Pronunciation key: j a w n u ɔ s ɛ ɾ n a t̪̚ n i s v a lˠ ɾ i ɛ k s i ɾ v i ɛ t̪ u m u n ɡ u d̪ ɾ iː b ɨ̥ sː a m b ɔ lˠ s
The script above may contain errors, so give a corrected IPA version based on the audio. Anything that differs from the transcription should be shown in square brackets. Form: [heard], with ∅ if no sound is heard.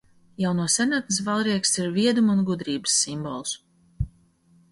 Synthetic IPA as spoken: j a w n u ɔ s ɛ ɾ n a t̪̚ n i s v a lˠ ɾ i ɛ k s i ɾ v i ɛ [d̪] u m u n ɡ u d̪ ɾ iː b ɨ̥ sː [i] m b ɔ lˠ s